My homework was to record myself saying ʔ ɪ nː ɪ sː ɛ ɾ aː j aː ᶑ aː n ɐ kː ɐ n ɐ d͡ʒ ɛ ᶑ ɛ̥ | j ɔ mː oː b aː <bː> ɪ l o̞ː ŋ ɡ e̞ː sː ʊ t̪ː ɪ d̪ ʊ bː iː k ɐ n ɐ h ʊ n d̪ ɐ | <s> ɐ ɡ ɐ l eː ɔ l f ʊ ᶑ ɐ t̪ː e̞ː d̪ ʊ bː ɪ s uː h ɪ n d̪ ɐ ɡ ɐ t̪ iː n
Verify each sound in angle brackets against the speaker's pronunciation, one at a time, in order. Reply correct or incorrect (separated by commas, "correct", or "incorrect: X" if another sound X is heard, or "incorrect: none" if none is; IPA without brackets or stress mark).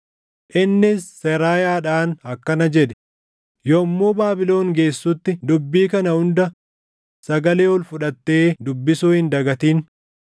incorrect: b, correct